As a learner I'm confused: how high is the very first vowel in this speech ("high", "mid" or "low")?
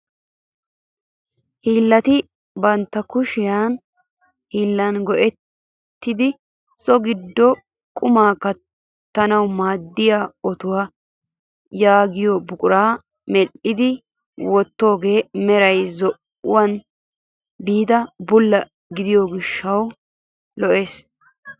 high